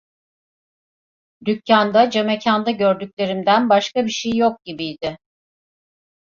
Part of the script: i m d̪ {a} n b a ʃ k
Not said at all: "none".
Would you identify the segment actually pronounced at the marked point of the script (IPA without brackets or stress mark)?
æ